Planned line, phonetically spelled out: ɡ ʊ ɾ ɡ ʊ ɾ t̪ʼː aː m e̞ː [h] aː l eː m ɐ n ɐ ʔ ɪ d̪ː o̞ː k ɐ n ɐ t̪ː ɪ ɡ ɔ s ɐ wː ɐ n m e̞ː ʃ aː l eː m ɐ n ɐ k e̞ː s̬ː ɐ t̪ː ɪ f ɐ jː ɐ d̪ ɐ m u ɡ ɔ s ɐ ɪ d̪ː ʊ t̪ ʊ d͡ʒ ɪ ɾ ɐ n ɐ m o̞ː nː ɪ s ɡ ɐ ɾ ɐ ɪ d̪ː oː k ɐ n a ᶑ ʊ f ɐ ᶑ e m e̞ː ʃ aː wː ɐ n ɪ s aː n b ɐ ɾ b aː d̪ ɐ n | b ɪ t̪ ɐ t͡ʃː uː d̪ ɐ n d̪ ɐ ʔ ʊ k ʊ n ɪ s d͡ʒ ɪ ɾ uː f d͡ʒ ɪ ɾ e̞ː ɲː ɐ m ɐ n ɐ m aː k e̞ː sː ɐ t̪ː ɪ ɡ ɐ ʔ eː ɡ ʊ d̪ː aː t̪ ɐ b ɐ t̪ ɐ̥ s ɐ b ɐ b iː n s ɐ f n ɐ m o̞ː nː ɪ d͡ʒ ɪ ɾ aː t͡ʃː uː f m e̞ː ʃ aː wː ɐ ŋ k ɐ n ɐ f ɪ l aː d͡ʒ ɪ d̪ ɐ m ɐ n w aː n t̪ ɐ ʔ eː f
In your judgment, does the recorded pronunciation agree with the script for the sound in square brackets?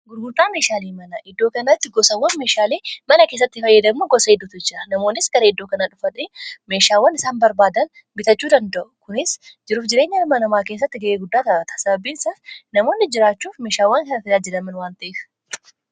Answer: no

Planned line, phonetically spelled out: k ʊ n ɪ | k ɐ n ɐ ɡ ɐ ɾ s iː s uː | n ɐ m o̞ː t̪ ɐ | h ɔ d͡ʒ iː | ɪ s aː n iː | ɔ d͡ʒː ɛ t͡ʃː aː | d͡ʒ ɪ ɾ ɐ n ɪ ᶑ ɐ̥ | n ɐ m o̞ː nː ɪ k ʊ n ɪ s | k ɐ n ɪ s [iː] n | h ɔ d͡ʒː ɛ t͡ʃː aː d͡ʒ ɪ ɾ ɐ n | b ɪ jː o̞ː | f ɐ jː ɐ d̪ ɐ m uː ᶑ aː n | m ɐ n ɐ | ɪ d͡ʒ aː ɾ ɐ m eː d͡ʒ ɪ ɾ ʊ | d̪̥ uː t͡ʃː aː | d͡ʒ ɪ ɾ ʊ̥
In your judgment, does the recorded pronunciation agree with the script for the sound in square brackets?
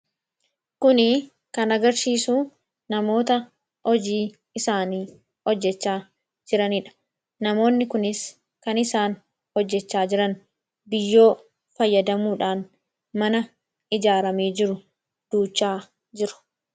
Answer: no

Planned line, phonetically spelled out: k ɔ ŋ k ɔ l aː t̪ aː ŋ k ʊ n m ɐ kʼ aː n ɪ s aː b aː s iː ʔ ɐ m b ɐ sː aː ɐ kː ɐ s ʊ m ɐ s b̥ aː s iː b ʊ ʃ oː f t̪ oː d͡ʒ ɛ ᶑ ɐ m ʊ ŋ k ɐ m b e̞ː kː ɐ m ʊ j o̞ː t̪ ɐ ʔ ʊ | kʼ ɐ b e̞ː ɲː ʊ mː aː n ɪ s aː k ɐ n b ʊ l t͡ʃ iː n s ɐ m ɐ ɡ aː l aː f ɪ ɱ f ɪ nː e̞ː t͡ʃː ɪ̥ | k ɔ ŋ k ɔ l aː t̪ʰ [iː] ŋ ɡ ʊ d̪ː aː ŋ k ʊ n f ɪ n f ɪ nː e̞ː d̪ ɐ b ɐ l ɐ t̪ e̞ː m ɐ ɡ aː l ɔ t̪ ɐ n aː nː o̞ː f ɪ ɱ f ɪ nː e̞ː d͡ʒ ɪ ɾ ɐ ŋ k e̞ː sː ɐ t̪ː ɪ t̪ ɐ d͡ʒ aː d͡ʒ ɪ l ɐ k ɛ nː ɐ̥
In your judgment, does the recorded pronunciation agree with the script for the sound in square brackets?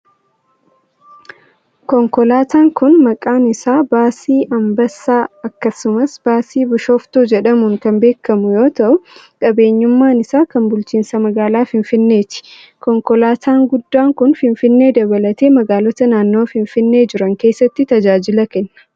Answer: no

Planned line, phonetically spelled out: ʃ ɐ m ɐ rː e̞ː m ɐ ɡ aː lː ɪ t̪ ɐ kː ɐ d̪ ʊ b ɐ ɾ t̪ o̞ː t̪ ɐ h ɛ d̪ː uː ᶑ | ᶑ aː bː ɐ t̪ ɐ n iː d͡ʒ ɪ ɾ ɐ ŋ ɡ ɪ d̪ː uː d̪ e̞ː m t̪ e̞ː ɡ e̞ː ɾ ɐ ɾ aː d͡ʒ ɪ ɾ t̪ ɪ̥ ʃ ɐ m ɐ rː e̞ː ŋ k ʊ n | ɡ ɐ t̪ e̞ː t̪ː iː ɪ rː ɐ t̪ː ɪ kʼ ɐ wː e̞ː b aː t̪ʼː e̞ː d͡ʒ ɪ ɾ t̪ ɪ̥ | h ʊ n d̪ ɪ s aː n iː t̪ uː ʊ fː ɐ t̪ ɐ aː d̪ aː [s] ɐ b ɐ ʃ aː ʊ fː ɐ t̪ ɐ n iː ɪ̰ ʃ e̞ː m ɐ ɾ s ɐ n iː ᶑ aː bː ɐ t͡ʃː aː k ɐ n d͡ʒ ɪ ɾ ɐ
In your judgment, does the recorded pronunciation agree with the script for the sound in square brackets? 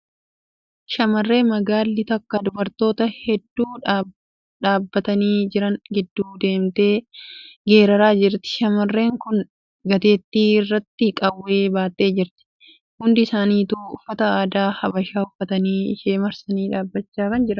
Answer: no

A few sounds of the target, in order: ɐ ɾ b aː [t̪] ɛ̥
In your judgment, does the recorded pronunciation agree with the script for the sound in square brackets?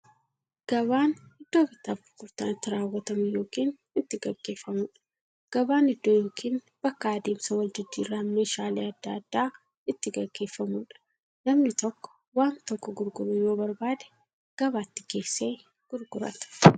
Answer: no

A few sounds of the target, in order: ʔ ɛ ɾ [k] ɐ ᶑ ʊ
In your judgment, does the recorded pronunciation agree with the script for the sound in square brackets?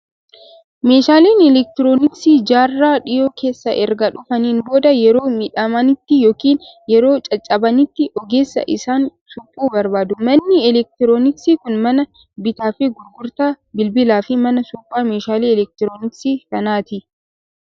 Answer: no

